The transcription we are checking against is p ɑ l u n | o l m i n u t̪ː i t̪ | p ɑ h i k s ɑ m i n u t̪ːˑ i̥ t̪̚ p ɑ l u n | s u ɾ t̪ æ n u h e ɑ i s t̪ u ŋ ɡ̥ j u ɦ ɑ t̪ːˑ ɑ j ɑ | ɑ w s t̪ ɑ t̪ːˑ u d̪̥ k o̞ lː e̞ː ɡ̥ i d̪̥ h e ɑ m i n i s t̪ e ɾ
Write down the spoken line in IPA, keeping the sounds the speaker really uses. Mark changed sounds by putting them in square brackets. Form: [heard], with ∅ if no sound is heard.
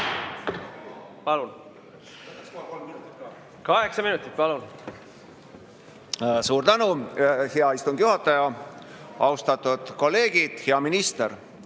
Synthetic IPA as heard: p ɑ l u n | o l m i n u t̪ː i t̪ | [k] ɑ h [e] k s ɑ m i n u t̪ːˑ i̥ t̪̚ p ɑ l u n | s [uː] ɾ t̪ æ n u h e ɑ i s t̪ u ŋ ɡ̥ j u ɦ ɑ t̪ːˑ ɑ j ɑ | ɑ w s t̪ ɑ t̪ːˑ u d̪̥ k o̞ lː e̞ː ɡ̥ i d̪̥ h e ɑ m i n i s t̪ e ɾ